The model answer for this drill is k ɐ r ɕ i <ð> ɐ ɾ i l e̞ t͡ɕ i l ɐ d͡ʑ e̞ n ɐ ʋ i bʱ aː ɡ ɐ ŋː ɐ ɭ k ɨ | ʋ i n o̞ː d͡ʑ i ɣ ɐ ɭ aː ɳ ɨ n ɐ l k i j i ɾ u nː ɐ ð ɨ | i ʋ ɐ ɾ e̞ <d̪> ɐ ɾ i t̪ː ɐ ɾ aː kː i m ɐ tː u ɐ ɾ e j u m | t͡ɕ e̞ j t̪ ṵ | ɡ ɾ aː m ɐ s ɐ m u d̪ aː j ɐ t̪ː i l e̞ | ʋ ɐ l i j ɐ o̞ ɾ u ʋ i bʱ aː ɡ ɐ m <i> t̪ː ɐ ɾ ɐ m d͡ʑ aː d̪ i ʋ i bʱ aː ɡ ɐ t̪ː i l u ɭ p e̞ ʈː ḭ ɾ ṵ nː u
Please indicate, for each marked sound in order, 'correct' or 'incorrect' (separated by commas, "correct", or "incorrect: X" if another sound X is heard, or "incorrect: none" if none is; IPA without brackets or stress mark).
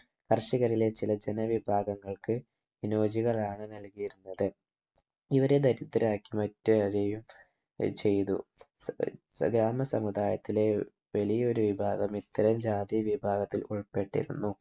incorrect: ɣ, correct, correct